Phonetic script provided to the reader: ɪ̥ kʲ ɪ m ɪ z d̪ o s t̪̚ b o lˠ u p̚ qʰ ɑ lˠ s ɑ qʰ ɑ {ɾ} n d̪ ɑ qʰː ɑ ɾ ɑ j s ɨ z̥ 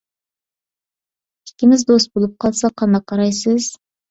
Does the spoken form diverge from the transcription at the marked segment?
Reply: yes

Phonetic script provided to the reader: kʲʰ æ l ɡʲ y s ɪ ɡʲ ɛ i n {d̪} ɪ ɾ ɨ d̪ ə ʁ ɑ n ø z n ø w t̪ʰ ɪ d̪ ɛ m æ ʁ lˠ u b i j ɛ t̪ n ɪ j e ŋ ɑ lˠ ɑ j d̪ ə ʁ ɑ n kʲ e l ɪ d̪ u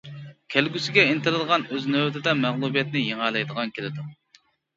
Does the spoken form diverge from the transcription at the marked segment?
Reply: yes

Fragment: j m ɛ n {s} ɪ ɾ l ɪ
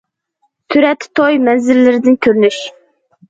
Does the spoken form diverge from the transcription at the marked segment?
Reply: yes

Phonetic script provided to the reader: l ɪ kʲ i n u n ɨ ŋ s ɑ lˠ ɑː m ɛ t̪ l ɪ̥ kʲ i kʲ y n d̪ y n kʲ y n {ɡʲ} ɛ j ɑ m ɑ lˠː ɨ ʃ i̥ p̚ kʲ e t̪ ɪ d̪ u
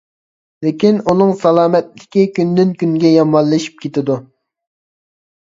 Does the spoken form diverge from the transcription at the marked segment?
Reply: no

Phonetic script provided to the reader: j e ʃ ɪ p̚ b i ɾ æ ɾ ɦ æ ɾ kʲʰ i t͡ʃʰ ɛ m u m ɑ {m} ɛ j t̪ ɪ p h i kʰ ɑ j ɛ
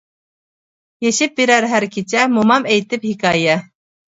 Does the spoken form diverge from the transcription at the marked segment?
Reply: no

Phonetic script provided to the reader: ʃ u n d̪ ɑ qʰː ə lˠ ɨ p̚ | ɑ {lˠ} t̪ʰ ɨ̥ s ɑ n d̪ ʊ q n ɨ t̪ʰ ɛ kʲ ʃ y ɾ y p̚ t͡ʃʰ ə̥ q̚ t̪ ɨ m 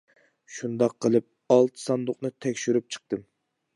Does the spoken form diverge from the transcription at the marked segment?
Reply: no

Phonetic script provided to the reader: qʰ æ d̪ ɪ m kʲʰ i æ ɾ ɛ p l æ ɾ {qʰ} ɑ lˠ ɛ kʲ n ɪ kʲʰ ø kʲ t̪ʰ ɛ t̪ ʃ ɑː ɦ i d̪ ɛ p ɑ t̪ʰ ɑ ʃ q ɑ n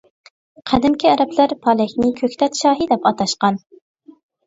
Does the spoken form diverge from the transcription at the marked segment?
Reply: yes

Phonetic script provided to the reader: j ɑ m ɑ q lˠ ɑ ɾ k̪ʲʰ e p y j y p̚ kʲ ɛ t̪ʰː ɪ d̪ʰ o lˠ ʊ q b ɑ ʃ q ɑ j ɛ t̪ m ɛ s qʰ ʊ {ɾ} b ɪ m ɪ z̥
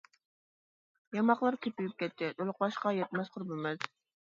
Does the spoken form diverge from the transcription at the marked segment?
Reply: no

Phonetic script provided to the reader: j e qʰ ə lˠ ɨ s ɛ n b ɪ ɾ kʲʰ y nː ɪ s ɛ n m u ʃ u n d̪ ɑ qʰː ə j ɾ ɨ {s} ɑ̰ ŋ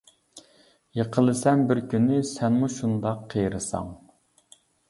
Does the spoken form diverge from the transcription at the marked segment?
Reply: no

